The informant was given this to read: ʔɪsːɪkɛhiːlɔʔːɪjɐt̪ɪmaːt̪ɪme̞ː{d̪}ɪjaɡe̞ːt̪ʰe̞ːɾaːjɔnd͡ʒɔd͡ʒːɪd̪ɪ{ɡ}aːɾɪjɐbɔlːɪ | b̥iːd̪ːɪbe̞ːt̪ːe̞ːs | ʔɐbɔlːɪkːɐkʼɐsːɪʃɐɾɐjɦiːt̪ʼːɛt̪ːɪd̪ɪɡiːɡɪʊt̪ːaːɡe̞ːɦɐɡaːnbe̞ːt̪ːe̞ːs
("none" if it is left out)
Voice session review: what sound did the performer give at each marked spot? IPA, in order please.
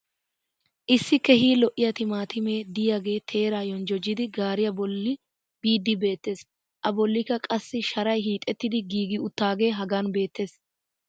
d̪, ɡ

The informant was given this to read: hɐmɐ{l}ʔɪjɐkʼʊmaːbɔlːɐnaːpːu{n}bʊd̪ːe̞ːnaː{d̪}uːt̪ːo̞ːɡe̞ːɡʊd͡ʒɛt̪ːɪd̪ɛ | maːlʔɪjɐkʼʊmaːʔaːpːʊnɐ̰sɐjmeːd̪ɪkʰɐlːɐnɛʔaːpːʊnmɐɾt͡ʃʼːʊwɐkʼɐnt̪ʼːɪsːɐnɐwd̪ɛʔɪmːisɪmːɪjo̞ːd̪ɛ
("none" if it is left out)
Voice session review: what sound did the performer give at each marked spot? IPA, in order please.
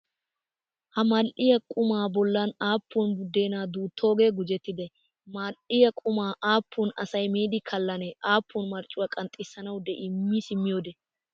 l, n, d̪

